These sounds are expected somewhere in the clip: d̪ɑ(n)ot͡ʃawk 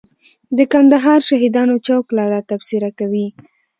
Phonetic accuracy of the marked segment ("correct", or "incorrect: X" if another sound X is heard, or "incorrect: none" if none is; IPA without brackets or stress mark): correct